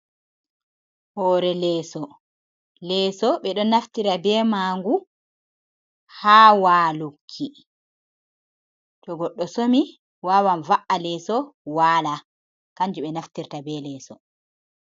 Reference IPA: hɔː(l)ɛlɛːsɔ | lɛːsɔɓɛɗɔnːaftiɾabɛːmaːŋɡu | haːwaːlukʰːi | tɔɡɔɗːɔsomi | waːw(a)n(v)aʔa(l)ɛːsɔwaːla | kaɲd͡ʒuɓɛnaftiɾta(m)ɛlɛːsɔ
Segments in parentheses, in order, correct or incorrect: incorrect: ɾ, correct, correct, correct, incorrect: b

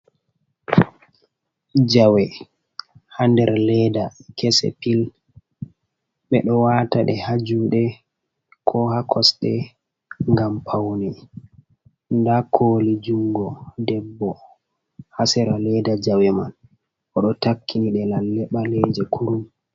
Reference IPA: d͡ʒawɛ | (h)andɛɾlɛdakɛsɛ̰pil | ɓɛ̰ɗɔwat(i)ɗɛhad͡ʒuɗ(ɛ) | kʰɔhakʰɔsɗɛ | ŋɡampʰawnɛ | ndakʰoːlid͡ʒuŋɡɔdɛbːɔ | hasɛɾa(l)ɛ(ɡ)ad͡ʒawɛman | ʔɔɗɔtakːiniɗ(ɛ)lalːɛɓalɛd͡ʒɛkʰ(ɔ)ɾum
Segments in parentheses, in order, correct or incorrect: correct, incorrect: a, correct, correct, incorrect: d, correct, incorrect: u

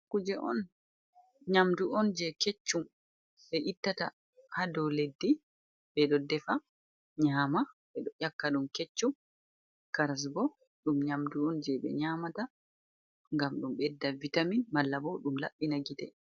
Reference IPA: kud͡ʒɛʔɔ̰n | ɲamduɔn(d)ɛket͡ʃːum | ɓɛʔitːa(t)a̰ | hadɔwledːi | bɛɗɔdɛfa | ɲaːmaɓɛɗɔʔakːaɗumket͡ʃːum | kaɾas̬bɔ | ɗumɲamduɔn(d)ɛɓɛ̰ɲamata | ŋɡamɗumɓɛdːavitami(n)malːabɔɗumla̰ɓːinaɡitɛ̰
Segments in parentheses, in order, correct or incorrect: incorrect: d͡ʒ, correct, incorrect: d͡ʒ, correct

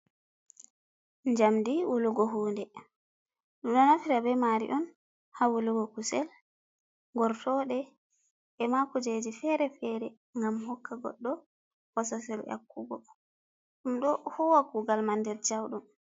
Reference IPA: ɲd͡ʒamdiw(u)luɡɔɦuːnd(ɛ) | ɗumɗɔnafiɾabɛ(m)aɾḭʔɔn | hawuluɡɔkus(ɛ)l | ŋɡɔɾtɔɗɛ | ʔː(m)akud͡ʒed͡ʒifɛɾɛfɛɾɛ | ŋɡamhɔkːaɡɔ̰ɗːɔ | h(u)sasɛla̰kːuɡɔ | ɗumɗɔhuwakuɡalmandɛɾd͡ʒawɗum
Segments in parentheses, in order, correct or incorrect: correct, correct, correct, correct, correct, incorrect: ɔ

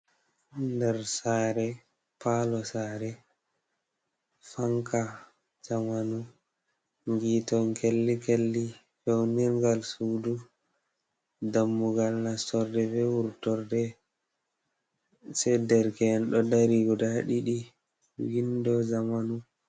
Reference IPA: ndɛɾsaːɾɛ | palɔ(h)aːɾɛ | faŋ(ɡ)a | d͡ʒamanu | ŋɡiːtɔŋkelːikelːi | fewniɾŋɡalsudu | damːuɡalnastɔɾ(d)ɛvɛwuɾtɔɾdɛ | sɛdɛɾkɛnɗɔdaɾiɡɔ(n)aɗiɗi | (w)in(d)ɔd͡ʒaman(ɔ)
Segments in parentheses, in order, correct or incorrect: incorrect: s, incorrect: k, correct, incorrect: d, correct, correct, incorrect: u

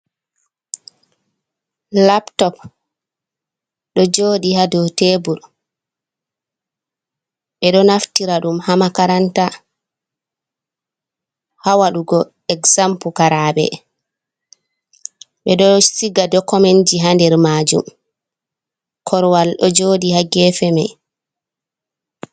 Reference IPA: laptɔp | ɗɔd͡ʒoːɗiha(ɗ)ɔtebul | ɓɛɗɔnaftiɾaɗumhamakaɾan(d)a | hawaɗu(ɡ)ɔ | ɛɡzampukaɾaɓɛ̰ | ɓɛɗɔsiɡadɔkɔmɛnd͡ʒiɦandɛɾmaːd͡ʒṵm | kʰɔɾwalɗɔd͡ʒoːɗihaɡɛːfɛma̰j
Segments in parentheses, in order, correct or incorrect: incorrect: d, incorrect: t, correct

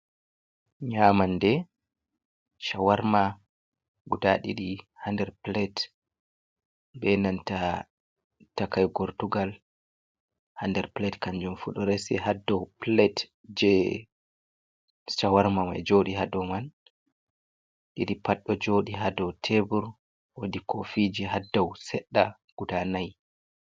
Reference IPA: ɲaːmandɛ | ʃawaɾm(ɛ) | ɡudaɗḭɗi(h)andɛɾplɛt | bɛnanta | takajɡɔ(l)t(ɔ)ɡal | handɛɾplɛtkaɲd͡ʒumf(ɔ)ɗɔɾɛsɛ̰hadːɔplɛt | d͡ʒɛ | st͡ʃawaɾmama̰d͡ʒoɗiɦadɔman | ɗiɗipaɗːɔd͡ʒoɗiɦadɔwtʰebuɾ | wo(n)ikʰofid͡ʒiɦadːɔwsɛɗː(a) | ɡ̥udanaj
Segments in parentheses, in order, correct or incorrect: incorrect: a, correct, incorrect: ɾ, incorrect: u, incorrect: u, incorrect: d, correct

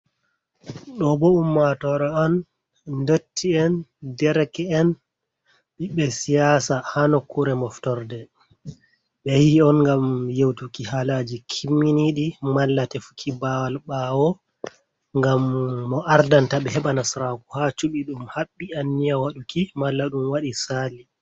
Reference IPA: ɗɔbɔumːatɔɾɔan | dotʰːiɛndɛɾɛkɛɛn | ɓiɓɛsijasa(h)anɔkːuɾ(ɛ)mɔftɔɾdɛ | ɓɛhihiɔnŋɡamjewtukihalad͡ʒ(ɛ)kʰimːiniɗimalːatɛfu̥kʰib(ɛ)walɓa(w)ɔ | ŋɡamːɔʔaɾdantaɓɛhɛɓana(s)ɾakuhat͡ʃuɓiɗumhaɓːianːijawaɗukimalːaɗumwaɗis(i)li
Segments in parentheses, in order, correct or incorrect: correct, correct, incorrect: i, incorrect: a, correct, correct, incorrect: a

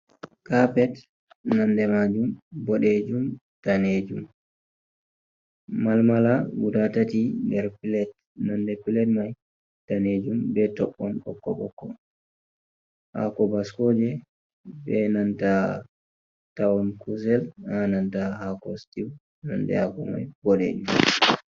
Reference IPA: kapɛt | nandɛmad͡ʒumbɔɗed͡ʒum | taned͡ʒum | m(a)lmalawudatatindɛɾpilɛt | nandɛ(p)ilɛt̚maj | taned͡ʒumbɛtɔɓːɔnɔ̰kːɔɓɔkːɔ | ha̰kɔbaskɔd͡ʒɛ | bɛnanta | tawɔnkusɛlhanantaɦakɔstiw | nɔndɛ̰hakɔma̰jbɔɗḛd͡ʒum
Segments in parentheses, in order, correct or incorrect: correct, correct

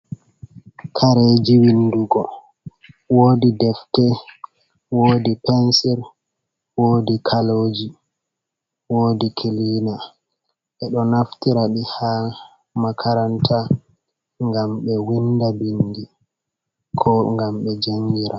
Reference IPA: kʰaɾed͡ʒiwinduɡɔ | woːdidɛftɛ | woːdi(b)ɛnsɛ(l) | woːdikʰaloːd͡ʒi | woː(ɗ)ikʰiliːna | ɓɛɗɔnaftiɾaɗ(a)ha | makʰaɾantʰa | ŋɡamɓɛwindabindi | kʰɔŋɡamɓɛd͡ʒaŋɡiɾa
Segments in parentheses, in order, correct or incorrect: incorrect: p, incorrect: ɾ, incorrect: d, incorrect: i

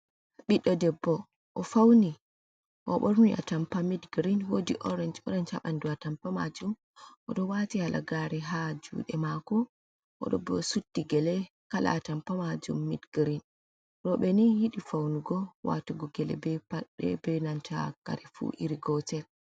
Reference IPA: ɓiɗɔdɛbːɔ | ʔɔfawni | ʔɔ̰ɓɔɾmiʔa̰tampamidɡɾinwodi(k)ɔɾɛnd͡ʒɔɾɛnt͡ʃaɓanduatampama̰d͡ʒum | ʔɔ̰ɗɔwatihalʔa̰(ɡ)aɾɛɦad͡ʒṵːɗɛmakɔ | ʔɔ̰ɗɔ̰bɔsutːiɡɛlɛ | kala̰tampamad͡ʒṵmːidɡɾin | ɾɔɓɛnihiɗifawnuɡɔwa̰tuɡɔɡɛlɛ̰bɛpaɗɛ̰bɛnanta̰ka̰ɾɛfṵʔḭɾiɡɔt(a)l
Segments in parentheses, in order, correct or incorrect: incorrect: ʔ, correct, incorrect: ɛ

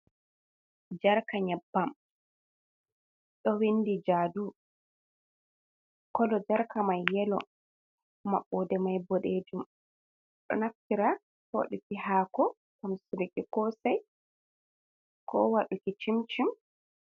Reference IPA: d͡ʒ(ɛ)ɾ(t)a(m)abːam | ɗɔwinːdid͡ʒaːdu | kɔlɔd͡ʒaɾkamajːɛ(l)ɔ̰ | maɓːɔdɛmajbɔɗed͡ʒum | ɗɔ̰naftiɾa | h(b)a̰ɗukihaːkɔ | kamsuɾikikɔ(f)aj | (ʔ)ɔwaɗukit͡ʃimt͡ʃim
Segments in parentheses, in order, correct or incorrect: incorrect: a, incorrect: k, incorrect: ɲ, correct, incorrect: w, incorrect: s, incorrect: k

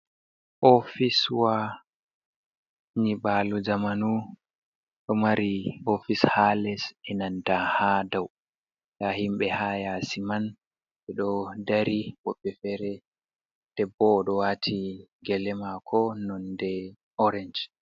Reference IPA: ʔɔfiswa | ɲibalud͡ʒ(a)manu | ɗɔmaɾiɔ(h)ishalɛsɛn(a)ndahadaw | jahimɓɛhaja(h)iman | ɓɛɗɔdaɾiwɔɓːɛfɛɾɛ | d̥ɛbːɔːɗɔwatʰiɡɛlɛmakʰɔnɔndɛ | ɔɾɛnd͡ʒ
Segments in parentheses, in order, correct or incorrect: correct, incorrect: f, correct, incorrect: s

